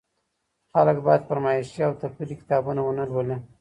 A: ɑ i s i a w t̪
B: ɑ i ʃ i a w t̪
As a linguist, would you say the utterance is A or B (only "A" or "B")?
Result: B